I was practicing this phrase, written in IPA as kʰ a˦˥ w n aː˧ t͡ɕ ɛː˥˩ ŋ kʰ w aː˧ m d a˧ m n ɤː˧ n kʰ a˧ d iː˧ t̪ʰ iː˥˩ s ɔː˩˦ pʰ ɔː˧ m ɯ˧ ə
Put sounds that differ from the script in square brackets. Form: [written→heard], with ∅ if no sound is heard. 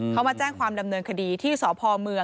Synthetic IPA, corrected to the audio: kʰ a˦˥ w [n→m] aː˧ t͡ɕ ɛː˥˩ ŋ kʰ w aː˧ m d a˧ m n ɤː˧ n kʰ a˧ d iː˧ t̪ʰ iː˥˩ s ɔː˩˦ pʰ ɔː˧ m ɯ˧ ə